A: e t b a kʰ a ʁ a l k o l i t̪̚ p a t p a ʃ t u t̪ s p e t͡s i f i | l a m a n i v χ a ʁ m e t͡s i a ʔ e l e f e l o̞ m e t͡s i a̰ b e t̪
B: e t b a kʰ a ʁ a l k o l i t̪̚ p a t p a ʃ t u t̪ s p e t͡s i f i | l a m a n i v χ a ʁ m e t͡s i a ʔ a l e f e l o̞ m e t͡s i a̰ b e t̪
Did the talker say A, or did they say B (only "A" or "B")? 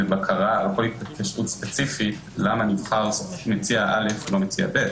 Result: B